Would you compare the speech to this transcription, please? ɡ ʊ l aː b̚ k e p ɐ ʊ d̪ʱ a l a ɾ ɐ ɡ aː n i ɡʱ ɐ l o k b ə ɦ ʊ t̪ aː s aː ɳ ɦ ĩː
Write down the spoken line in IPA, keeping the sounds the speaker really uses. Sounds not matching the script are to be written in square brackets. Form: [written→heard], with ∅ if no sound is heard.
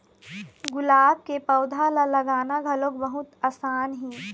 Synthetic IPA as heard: ɡ ʊ l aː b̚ k e p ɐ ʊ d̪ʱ a l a [ɾ→l] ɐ ɡ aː n [i→a] ɡʱ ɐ l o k b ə ɦ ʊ t̪ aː s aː [ɳ→n] ɦ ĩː